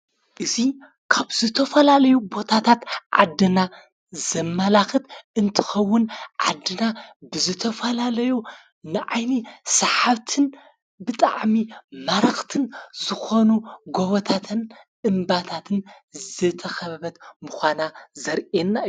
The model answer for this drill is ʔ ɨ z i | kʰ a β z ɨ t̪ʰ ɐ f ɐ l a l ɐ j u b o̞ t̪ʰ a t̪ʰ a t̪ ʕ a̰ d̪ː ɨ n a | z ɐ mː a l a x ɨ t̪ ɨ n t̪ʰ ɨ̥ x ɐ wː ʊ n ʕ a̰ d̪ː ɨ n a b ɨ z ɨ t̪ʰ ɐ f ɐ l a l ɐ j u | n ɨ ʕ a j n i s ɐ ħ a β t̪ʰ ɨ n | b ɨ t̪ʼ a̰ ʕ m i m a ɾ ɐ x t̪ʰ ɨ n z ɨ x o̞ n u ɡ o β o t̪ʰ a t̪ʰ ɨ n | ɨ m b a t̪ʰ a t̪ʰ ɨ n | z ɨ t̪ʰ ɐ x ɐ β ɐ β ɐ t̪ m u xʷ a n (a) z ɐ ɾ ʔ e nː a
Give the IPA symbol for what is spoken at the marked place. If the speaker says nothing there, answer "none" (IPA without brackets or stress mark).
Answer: a